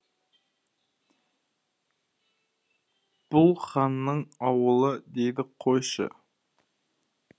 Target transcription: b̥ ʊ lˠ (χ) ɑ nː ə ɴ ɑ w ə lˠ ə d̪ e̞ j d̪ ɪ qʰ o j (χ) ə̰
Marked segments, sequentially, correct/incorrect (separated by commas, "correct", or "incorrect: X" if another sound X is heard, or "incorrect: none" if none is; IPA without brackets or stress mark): correct, incorrect: ʃ